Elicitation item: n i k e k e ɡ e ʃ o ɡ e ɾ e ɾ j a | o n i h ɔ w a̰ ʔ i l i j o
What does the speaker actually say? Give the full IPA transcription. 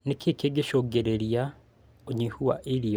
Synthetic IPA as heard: n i k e k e ɡ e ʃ o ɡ e ɾ e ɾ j a | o ɲ i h u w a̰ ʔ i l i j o